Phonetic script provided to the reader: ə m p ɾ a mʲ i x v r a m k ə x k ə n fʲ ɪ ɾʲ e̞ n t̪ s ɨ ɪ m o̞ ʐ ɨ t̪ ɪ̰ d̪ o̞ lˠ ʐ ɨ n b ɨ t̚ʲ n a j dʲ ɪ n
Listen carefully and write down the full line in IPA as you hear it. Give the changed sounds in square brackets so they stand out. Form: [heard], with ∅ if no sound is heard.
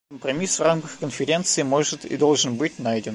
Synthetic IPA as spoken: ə m p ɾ [ɐ] mʲ i [s] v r a m k ə x k ə n fʲ ɪ ɾʲ e̞ n t̪ s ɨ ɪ m o̞ ʐ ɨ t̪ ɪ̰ d̪ o̞ lˠ ʐ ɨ n b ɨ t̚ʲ n a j dʲ ɪ n